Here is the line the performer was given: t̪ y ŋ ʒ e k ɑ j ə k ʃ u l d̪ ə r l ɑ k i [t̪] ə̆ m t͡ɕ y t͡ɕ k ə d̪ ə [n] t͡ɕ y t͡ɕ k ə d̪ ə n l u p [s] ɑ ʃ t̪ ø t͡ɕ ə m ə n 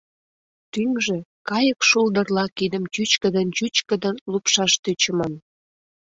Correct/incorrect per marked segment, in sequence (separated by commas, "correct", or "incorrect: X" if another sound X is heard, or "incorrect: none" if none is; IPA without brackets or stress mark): incorrect: d̪, correct, incorrect: ʃ